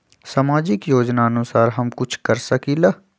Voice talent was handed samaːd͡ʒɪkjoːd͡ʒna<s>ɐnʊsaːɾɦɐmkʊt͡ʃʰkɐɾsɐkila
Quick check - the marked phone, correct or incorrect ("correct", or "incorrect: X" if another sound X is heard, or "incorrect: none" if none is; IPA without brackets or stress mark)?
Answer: incorrect: none